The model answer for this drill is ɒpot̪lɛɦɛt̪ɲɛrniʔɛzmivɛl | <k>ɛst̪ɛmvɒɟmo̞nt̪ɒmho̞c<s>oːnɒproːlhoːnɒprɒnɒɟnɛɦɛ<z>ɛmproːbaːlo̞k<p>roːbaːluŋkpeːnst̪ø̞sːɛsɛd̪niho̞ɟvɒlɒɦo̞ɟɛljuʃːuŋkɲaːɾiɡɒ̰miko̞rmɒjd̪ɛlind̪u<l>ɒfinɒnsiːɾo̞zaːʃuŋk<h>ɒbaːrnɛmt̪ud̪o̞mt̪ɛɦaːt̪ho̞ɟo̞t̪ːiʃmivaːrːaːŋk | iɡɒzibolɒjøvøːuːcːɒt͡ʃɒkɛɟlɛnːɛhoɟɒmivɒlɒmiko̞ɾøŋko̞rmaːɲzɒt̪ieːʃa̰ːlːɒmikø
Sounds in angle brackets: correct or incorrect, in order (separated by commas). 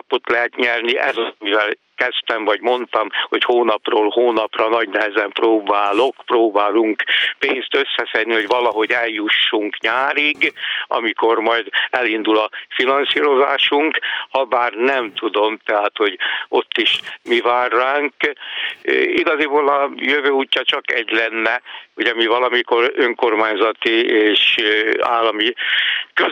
correct, incorrect, correct, correct, correct, correct